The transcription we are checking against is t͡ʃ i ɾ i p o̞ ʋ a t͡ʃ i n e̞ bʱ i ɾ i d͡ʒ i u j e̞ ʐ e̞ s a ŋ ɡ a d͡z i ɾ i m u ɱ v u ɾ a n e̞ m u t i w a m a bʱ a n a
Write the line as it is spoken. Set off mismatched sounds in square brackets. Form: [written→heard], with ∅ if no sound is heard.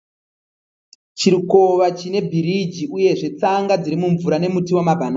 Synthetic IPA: t͡ʃ i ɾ i [p→k] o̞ ʋ a t͡ʃ i n e̞ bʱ i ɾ i d͡ʒ i u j e̞ ʐ e̞ [s→t͡s] a ŋ ɡ a d͡z i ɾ i m u ɱ v u ɾ a n e̞ m u t i w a m a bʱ a n a